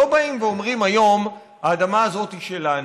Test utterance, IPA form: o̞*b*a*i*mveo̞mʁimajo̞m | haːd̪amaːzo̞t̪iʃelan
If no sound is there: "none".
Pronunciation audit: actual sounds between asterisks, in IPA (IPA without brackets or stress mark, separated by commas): b, i